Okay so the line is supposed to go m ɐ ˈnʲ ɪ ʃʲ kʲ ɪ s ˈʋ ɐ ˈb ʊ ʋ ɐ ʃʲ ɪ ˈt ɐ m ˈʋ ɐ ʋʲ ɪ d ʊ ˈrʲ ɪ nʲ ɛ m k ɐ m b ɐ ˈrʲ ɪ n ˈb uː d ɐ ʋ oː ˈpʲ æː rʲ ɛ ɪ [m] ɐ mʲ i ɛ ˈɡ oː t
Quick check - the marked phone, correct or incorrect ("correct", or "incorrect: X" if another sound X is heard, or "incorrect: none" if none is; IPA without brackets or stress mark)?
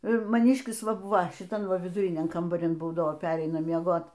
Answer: incorrect: n